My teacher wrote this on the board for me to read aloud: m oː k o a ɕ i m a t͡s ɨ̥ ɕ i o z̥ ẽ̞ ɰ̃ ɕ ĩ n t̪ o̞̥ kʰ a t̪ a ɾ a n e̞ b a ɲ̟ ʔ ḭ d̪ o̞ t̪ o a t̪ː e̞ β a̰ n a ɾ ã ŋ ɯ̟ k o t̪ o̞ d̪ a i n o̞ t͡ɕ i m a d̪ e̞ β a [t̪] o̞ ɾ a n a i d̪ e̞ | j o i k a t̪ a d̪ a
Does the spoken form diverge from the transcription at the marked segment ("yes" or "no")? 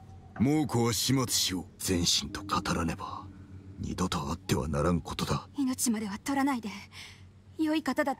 no